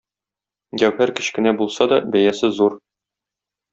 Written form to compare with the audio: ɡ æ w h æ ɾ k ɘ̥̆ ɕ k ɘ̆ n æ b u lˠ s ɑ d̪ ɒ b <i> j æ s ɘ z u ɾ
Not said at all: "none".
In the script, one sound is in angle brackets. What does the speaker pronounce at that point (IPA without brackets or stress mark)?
æ